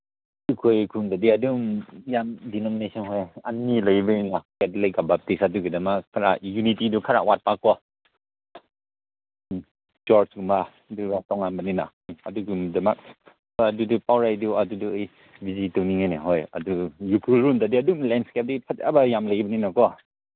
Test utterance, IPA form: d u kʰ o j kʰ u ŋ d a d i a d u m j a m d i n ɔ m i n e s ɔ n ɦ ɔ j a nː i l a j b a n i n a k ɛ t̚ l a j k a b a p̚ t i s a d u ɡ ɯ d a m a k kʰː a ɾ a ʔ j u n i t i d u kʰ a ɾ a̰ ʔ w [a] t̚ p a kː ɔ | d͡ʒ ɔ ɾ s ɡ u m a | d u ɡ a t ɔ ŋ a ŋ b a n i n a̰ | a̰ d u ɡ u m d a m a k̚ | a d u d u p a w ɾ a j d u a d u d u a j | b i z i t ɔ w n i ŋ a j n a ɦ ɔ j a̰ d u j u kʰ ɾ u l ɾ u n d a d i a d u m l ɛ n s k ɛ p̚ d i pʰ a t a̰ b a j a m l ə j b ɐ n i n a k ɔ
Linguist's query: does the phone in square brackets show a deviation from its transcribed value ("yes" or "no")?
no